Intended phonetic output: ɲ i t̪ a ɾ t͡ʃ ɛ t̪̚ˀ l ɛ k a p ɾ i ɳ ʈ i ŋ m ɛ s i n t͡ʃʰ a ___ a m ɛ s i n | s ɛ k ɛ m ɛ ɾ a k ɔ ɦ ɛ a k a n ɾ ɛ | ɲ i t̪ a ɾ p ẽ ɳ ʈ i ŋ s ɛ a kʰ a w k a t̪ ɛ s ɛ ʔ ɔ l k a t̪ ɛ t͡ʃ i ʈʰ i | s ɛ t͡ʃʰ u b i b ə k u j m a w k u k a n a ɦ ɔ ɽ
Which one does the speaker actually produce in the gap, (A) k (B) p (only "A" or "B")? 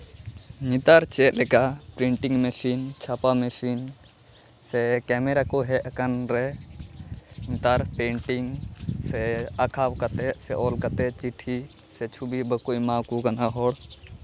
B